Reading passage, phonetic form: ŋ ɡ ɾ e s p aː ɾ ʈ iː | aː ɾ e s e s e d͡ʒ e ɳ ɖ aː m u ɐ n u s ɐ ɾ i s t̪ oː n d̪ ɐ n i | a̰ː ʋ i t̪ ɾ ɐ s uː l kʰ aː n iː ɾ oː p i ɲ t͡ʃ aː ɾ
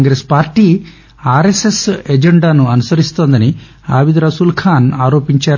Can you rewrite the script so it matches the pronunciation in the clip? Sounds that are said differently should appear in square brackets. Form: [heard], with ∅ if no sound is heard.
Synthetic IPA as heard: ŋ ɡ ɾ e s p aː ɾ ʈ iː | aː ɾ e s e s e d͡ʒ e ɳ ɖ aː [n] u ɐ n u s ɐ ɾ i s t̪ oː n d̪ ɐ n i | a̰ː ʋ i [d̪] ɾ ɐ s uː l kʰ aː n [aː] ɾ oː p i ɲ t͡ʃ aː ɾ